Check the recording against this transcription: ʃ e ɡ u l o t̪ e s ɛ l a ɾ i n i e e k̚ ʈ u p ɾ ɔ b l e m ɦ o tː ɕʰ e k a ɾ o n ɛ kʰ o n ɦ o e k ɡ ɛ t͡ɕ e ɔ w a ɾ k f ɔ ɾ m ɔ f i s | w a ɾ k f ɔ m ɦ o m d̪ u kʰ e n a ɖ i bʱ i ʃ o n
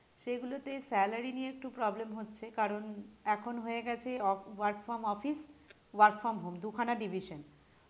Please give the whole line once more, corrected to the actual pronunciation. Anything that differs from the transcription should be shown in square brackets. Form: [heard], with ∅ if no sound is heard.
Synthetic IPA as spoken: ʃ e ɡ u l o t̪ e s ɛ l a ɾ i n i e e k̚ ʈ u p ɾ ɔ b l e m ɦ o tː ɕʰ e k a ɾ o n ɛ kʰ o n ɦ o e [∅] ɡ ɛ [t͡ɕʰ] e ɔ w a ɾ k f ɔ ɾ m ɔ f i s | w a ɾ k f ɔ m ɦ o m d̪ u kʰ [a] n a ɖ i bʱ i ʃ o n

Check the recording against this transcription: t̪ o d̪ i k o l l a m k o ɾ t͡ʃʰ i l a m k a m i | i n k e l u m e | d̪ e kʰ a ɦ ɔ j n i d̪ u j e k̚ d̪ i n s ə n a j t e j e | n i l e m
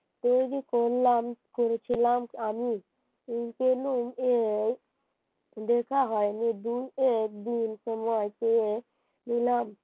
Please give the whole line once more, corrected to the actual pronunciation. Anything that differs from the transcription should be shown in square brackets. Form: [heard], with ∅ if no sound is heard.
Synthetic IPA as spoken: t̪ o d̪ i k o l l a m k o ɾ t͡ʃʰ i l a m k a m i | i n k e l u m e | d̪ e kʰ a ɦ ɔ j n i d̪ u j e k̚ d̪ i n s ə [m] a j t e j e | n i l [a] m

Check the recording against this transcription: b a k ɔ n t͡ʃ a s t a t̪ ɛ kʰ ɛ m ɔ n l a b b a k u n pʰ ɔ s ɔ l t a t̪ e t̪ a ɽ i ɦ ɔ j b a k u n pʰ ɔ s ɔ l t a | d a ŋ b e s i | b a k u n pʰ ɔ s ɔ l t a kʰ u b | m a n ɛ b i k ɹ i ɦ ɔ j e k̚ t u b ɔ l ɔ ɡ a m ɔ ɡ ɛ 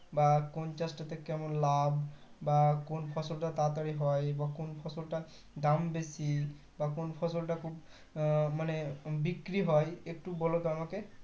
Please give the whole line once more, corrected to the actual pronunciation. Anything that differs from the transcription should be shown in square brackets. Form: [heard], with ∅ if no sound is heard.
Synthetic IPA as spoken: b a k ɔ n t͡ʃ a s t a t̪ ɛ [k] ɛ m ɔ n l a b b a k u n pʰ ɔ s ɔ l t a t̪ [a] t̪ a [ɹ] i ɦ ɔ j b a k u n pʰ ɔ s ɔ l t a | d a [m] b e s i | b a k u n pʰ ɔ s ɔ l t a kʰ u b | m a n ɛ b i k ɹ i ɦ ɔ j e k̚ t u b ɔ l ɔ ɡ a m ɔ [k] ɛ

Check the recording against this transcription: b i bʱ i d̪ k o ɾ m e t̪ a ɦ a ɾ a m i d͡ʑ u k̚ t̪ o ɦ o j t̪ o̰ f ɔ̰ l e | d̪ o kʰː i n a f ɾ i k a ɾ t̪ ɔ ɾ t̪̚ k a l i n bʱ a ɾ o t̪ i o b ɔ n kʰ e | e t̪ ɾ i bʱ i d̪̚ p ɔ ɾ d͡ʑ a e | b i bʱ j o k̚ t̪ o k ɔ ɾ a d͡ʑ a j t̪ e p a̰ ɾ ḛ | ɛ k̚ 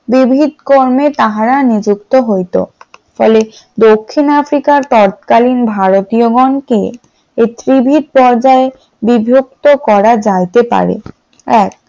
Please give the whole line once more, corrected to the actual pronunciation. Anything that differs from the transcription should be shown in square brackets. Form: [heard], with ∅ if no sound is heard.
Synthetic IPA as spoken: b i bʱ i d̪ k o ɾ m e t̪ a ɦ a ɾ a [n] i d͡ʑ u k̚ t̪ o ɦ o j t̪ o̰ f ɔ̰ l e | d̪ o kʰː i n a f ɾ i k a ɾ t̪ ɔ ɾ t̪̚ k a l i n bʱ a ɾ o t̪ i o [ɡ] ɔ n [k] e | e t̪ ɾ i bʱ i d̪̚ p ɔ ɾ d͡ʑ a e | b i bʱ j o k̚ t̪ o k ɔ ɾ a d͡ʑ a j t̪ e p a̰ ɾ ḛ | ɛ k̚

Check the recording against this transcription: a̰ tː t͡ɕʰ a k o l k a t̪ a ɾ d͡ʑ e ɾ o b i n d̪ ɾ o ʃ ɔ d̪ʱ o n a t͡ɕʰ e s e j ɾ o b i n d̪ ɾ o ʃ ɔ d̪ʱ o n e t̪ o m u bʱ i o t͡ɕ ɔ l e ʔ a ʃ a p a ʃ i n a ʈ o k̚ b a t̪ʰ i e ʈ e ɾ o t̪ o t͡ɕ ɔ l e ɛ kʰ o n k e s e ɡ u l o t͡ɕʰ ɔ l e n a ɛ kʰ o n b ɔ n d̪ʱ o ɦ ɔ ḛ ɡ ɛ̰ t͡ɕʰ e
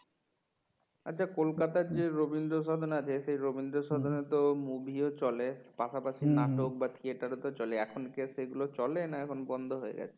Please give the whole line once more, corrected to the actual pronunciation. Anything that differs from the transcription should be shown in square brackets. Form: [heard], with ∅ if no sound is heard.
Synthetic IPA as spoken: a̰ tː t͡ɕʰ a k o l k a t̪ a ɾ d͡ʑ e ɾ o b i n d̪ ɾ o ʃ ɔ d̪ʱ o n a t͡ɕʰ e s e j ɾ o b i n d̪ ɾ o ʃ ɔ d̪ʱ o n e t̪ o m u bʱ i o t͡ɕ ɔ l e [p] a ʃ a p a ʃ i n a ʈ o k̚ b a t̪ʰ i e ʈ [a] ɾ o t̪ o t͡ɕ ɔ l e ɛ kʰ o n k e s e ɡ u l o [t͡ɕ] ɔ l e n a ɛ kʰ o n b ɔ n d̪ʱ o ɦ [o] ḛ ɡ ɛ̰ t͡ɕʰ e

